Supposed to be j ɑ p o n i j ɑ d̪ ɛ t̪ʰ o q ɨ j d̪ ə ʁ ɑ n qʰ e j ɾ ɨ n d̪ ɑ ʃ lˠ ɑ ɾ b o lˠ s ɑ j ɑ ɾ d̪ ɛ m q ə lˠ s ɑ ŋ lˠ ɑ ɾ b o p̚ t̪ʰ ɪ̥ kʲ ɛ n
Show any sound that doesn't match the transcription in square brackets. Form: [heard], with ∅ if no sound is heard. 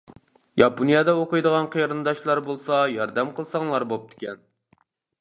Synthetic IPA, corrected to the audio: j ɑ p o n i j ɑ d̪ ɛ [∅] o q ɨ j d̪ ə ʁ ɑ n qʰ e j ɾ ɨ n d̪ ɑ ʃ lˠ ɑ ɾ b o lˠ s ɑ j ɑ ɾ d̪ ɛ m q ə lˠ s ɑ ŋ lˠ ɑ ɾ b o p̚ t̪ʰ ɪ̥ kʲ ɛ n